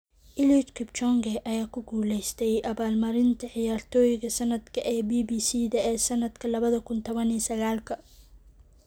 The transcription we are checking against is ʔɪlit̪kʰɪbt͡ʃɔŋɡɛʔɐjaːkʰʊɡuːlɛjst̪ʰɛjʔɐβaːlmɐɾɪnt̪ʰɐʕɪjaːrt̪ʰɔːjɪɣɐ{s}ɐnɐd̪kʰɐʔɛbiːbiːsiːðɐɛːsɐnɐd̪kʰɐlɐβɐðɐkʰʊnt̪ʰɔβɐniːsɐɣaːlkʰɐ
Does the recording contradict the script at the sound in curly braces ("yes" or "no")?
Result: no